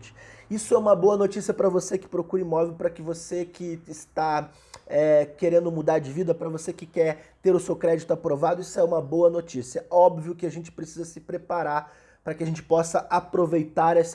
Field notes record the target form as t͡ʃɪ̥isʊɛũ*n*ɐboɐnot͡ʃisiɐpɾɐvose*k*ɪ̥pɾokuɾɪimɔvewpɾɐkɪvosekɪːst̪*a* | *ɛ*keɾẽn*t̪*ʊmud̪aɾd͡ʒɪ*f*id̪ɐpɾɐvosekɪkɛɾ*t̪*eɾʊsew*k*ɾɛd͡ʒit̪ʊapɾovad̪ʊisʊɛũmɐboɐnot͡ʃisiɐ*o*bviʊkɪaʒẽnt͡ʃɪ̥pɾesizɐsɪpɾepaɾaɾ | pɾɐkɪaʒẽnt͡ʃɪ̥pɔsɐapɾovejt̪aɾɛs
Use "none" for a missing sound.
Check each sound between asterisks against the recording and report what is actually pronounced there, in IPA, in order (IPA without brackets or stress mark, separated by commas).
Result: m, k, a, ɛ, d̪, v, t̪, k, ɔ